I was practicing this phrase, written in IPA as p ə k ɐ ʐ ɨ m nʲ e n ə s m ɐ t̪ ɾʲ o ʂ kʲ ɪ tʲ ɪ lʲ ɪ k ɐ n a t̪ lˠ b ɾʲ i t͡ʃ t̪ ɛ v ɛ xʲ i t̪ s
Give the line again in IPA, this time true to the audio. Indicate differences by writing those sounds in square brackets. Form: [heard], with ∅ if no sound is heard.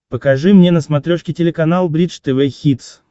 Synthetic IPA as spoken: p ə k ɐ ʐ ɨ m nʲ e n ə s m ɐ t̪ ɾʲ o ʂ kʲ ɪ tʲ ɪ lʲ ɪ k ɐ n a [∅] lˠ b ɾʲ i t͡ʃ t̪ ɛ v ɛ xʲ i t̪ s